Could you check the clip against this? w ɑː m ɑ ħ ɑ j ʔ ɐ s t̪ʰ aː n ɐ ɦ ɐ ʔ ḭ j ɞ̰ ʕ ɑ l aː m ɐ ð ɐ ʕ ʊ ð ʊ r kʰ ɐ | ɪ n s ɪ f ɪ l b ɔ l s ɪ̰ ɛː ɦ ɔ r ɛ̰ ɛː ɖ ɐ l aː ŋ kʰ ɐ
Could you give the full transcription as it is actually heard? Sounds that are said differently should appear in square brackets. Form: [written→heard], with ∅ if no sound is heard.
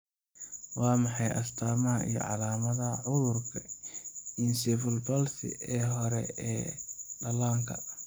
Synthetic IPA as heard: w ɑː m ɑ ħ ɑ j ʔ ɐ s t̪ʰ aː [n→m] ɐ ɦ ɐ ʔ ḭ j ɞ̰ ʕ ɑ l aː m ɐ ð ɐ ʕ ʊ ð ʊ r kʰ ɐ | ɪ n s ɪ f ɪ l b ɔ l s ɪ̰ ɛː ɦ ɔ [r→ɾ] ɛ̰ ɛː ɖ ɐ l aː ŋ kʰ ɐ